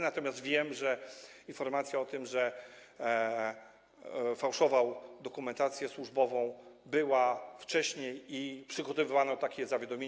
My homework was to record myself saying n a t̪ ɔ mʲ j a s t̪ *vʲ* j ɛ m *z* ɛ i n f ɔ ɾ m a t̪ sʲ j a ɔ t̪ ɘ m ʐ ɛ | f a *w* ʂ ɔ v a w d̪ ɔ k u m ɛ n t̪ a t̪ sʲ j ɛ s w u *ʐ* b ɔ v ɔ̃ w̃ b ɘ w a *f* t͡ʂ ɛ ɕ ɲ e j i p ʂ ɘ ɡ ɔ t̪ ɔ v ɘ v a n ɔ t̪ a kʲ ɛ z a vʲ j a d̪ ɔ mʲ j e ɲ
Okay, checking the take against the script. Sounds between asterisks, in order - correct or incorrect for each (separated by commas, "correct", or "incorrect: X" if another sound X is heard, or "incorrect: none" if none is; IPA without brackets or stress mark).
correct, incorrect: ʐ, correct, correct, correct